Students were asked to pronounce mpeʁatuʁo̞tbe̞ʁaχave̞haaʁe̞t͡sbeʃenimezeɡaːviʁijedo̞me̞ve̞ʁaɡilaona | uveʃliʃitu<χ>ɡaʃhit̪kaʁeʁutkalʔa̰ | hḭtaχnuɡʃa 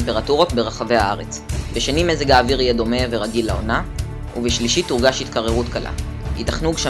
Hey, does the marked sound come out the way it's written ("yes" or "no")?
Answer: no